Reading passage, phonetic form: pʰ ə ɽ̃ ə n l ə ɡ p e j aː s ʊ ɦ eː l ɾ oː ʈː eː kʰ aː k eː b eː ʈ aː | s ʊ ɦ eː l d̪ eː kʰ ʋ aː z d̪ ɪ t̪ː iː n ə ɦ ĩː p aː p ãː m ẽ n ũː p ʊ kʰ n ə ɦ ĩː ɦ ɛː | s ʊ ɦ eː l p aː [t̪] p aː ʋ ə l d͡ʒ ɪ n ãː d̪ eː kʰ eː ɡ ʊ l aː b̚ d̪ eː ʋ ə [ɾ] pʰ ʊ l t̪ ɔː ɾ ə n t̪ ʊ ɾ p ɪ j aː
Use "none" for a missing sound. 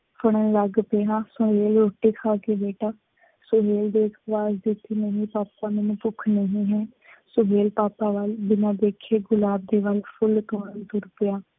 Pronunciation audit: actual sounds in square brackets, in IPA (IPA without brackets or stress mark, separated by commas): none, l